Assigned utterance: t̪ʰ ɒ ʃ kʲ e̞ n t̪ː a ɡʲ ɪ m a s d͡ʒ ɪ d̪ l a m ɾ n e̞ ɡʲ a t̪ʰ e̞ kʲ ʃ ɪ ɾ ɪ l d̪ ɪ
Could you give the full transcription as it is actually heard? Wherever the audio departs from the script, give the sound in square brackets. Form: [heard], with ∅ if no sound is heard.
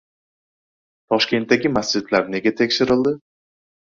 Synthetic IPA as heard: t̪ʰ ɒ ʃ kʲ e̞ n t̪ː a ɡʲ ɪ m a s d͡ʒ ɪ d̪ l a [∅] ɾ n e̞ ɡʲ a t̪ʰ e̞ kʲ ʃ ɪ ɾ ɪ l d̪ ɪ